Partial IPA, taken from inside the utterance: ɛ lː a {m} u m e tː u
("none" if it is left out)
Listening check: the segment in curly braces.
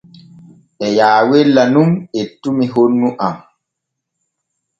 n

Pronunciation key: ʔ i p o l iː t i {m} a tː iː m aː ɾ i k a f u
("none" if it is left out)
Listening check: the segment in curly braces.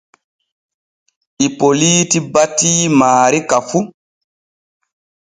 b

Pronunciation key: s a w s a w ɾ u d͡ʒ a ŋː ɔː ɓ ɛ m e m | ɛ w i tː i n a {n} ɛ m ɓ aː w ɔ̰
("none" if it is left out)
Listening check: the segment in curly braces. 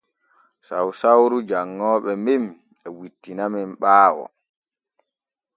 m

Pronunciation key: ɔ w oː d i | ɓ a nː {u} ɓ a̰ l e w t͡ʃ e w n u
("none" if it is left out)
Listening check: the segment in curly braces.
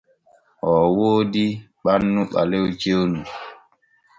u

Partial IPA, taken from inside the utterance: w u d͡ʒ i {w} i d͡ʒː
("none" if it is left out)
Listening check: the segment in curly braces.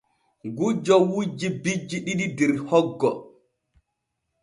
b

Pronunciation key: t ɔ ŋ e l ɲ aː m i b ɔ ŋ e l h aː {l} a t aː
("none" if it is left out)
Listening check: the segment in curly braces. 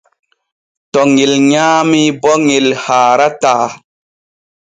ɾ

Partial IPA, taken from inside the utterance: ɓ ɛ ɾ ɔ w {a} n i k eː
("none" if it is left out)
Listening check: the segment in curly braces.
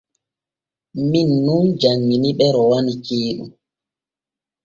a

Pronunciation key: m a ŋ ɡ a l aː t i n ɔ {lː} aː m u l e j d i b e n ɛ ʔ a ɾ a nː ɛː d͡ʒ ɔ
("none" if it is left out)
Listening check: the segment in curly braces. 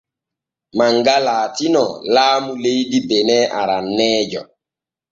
l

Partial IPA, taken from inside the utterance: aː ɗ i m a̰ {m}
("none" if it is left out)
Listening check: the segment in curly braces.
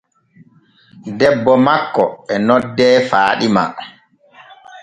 none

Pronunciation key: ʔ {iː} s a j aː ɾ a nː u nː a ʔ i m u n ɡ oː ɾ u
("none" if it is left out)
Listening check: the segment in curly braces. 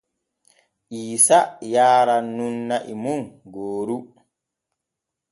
iː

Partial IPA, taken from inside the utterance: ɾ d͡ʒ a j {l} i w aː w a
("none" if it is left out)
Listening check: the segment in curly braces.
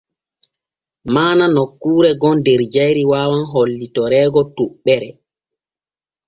ɾ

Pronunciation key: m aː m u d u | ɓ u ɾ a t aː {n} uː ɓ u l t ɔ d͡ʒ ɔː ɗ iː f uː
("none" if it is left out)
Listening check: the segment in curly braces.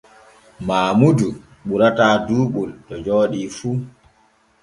d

